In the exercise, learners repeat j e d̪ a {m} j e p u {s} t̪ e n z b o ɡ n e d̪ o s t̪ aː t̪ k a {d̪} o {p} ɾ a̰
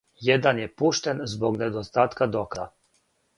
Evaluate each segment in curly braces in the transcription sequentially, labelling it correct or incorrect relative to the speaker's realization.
incorrect, incorrect, correct, incorrect

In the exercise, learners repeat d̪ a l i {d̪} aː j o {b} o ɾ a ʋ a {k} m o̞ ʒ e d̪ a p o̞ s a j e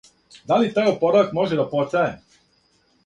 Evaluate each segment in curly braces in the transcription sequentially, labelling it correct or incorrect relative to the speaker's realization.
incorrect, incorrect, correct

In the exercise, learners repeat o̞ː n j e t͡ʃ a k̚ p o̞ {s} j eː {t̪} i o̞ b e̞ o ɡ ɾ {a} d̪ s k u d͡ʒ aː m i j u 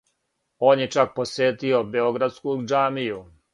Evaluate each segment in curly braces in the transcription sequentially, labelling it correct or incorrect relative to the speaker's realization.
correct, correct, correct

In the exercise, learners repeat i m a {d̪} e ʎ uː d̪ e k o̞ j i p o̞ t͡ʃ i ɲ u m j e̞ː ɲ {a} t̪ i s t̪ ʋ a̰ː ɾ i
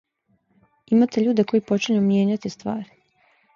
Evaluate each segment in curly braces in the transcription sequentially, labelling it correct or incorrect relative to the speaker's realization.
incorrect, correct

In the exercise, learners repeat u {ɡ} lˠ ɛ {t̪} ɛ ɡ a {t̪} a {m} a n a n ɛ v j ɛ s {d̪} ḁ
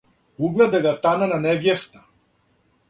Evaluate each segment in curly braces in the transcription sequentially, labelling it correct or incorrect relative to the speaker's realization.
correct, incorrect, correct, incorrect, incorrect

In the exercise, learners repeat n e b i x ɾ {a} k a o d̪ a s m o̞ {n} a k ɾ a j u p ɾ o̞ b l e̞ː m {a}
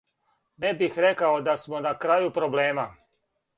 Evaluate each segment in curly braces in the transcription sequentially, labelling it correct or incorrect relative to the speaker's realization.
incorrect, correct, correct

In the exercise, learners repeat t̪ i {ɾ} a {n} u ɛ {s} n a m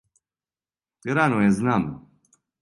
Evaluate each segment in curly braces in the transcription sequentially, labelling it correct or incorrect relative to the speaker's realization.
correct, correct, incorrect

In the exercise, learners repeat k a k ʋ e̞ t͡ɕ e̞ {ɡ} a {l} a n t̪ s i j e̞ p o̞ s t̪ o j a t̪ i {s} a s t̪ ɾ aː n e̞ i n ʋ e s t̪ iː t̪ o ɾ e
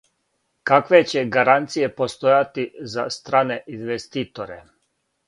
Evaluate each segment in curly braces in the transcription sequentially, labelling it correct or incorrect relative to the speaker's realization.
correct, incorrect, incorrect

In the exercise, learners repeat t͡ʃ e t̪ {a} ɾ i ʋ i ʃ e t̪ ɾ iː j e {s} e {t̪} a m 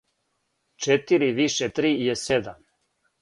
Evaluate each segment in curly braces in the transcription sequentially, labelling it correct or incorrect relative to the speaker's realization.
incorrect, correct, incorrect

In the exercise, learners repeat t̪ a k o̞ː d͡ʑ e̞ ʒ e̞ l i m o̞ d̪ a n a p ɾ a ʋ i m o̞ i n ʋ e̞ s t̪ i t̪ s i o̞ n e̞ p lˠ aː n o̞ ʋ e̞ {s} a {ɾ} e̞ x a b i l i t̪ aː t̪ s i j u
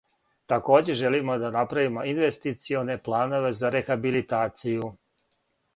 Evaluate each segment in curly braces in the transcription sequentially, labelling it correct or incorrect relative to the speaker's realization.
incorrect, correct

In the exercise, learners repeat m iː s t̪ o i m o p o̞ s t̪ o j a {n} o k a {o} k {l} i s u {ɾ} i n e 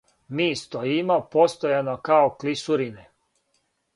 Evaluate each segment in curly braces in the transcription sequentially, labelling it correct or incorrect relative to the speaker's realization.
correct, correct, correct, correct

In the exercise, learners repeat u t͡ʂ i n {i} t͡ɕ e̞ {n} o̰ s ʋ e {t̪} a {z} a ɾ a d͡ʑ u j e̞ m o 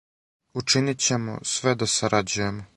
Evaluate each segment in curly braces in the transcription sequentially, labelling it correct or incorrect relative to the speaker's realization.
correct, incorrect, incorrect, incorrect

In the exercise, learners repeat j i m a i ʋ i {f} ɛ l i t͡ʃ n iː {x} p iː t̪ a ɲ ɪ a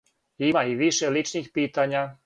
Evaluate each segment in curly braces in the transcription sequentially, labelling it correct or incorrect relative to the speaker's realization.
incorrect, correct

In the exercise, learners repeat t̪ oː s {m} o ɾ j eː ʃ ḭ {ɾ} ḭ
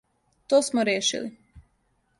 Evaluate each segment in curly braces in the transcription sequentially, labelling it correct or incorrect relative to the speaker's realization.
correct, incorrect

